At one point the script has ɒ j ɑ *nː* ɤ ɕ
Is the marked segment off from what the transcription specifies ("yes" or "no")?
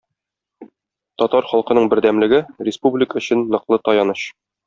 yes